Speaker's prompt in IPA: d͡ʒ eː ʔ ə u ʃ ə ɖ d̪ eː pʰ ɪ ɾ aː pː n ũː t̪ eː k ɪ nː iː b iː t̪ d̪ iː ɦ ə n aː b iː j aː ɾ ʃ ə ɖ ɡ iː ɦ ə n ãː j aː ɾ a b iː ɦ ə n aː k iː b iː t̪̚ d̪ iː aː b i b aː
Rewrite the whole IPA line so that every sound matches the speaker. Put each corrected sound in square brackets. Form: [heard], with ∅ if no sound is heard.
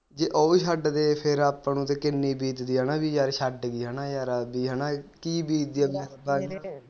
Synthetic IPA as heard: d͡ʒ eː ʔ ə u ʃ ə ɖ d̪ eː pʰ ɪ ɾ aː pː n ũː t̪ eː k ɪ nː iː b iː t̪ d̪ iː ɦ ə n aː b iː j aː ɾ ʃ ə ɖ ɡ iː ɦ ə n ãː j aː ɾ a b iː ɦ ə n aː k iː b iː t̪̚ d̪ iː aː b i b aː